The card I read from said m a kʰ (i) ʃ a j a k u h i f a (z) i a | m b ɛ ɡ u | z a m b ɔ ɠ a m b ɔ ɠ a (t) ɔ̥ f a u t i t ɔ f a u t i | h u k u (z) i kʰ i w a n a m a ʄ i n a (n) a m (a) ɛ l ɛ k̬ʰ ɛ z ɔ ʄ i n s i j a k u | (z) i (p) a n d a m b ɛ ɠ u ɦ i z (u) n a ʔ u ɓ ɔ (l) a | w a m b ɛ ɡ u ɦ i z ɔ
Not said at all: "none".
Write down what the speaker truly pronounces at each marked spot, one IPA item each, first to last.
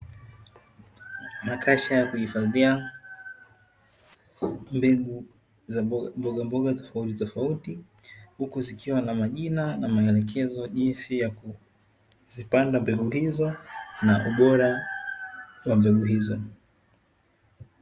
a, ð, t, z, n, a, z, p, ɔ, ɾ

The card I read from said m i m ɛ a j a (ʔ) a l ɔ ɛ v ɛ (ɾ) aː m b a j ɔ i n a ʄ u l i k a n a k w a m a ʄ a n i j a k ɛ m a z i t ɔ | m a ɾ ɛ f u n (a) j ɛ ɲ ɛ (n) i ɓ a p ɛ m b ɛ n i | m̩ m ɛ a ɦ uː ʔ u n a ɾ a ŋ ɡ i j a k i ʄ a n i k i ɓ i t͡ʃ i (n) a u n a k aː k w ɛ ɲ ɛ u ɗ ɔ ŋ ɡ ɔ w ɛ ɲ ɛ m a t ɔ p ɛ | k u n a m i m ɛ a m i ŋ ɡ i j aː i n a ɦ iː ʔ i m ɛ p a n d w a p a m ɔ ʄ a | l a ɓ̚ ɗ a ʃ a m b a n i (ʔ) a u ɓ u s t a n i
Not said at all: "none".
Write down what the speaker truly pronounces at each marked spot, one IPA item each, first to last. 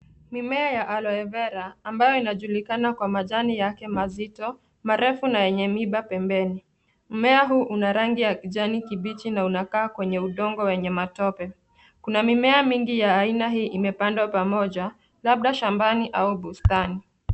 ʔ, ɾ, a, m, n, ʔ

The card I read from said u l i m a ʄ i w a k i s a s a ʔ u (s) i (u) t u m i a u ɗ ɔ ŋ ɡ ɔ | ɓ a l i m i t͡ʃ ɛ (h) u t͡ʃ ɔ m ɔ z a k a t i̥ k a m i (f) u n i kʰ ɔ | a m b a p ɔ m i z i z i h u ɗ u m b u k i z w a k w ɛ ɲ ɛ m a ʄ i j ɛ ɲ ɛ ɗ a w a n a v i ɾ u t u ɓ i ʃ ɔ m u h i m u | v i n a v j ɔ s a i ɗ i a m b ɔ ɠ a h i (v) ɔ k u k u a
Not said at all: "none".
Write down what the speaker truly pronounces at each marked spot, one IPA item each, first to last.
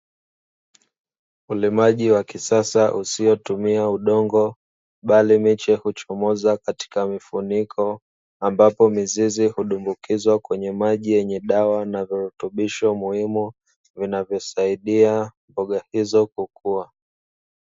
s, ɔ, h, f, z

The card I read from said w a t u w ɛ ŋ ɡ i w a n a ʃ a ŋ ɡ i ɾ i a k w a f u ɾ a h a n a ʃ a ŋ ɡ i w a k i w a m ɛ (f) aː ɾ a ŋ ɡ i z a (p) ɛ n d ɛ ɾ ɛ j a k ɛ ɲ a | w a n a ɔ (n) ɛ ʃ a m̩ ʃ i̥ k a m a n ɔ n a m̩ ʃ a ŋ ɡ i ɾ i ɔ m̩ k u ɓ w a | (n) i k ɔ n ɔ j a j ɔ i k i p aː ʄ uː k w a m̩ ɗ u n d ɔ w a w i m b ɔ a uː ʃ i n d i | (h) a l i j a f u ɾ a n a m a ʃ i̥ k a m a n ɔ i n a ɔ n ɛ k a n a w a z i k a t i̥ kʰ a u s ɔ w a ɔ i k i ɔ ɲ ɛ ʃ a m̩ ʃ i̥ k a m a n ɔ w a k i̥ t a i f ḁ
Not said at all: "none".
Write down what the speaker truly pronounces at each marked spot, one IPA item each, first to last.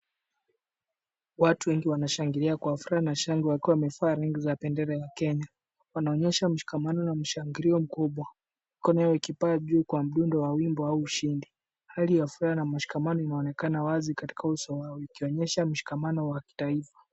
f, p, ɲ, m, h

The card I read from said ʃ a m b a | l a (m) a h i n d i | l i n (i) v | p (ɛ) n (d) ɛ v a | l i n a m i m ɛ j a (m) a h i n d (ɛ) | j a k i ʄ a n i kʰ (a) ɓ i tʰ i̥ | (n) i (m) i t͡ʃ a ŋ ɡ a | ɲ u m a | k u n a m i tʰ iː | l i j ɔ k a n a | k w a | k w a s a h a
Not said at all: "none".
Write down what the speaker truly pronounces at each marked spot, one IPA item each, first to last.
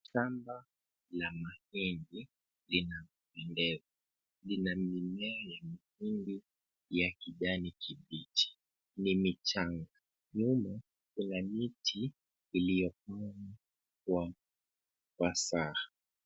m, a, ɛ, d, m, i, i, n, m

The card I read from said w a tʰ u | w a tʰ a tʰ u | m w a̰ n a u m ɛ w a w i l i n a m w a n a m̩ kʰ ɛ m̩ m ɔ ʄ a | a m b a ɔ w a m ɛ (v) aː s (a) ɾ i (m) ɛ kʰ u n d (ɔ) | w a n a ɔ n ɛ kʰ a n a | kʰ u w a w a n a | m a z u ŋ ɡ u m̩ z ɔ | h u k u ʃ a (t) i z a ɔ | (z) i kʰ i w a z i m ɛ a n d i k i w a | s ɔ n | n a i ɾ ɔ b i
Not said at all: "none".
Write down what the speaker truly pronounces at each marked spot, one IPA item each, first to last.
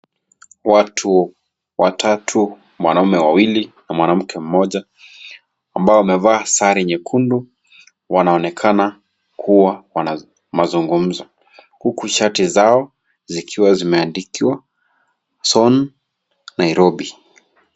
v, a, ɲ, u, t, z

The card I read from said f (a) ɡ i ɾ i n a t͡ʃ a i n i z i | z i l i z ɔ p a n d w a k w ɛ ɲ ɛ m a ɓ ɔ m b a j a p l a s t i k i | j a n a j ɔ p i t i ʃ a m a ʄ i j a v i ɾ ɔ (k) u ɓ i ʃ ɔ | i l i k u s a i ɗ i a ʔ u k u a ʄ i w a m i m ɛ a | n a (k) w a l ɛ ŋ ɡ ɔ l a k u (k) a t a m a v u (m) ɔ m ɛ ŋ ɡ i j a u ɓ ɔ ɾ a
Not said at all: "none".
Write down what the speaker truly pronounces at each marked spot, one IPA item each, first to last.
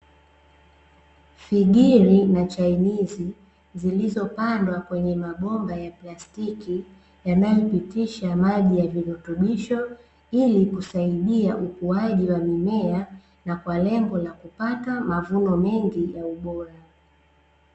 i, t, k, p, n

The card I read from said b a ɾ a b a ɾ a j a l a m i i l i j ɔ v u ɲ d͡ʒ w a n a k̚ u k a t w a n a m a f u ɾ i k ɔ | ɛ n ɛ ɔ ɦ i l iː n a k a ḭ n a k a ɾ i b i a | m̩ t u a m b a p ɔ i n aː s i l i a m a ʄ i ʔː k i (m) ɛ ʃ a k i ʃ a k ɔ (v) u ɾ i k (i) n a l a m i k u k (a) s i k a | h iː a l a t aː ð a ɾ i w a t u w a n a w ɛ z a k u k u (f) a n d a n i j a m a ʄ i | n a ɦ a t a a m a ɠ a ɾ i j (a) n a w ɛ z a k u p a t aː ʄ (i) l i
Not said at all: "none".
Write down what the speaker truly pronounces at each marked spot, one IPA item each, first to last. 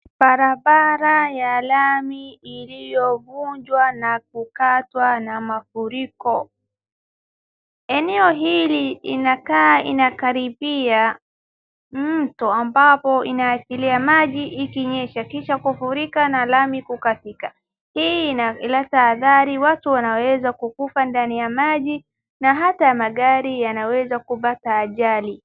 ɲ, f, a, a, f, a, a

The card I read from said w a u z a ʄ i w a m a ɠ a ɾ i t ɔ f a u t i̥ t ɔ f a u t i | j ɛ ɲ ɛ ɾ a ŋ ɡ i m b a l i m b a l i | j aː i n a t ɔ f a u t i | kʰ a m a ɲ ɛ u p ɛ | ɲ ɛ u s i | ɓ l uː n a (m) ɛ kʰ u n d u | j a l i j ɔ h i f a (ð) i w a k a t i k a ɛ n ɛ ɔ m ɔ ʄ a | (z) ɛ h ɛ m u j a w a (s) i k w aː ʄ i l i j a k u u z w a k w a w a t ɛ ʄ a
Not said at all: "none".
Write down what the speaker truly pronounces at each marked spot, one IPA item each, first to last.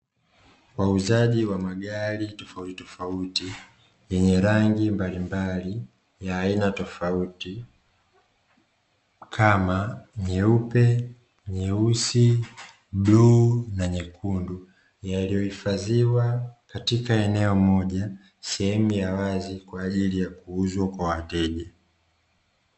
ɲ, z, s, z

